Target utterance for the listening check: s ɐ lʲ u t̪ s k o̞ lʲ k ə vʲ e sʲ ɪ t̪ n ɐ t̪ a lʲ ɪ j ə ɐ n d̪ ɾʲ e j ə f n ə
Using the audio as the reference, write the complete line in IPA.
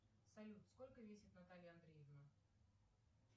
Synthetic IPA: s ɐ lʲ u t̪ s k o̞ lʲ k ə vʲ e sʲ ɪ t̪ n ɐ t̪ a lʲ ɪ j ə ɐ n d̪ ɾʲ e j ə v n ə